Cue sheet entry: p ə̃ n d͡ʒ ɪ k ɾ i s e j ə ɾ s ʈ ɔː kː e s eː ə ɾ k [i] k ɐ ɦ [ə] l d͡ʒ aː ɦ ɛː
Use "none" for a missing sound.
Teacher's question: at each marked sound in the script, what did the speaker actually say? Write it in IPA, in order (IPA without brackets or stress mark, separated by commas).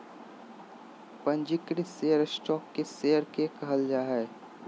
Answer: e, ə